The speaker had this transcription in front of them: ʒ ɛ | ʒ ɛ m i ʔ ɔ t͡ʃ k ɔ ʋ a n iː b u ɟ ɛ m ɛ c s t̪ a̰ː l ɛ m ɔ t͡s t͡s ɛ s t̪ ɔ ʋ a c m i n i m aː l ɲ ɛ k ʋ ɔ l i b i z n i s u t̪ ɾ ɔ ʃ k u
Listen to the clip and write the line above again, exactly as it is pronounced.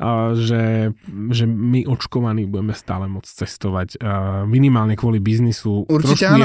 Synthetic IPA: ʒ ɛ | ʒ ɛ m i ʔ ɔ t͡ʃ k ɔ ʋ a n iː b u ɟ ɛ m ɛ s t̪ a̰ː l ɛ m ɔ t͡s t͡s ɛ s t̪ ɔ ʋ a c m i n i m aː l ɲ ɛ k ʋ ɔ l i b i z n i s u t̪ ɾ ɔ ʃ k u